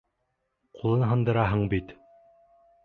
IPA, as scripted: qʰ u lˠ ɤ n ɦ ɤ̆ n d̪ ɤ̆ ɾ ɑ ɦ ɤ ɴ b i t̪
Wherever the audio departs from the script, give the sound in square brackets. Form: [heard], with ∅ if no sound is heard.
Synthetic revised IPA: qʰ u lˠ ɤ n ɦ ɤ̆ n d̪ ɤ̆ ɾ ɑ ɦ ɤ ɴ b i t̪